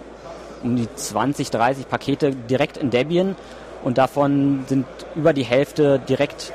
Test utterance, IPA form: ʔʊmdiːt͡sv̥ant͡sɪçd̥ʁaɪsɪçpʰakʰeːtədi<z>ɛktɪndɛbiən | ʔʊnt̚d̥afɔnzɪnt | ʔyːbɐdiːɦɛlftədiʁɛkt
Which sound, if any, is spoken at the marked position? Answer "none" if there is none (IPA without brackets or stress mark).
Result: ʁ